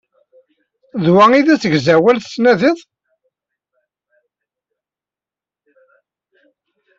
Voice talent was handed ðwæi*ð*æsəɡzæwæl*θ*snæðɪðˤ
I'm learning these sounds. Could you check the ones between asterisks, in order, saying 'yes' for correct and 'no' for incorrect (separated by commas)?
yes, yes